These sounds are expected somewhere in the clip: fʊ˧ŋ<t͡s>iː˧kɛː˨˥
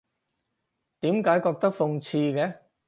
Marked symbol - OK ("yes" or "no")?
no